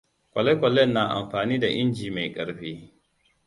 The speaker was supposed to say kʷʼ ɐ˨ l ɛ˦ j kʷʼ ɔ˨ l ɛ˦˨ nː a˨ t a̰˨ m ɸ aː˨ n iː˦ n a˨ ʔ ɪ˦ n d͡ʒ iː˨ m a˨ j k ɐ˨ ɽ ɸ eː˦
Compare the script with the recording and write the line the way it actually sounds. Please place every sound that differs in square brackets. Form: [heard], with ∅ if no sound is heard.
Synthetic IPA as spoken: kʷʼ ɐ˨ l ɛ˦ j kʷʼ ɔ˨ l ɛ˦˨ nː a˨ [ʔ] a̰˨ m ɸ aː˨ n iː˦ [d] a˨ ʔ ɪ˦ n d͡ʒ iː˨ m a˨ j [kʼ] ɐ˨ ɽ ɸ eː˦